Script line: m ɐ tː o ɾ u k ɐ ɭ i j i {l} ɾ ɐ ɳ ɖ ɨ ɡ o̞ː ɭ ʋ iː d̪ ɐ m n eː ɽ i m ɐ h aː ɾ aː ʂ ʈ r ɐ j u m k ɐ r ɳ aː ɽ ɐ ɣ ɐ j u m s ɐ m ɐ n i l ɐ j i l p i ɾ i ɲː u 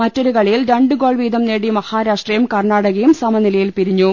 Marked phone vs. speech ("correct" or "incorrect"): correct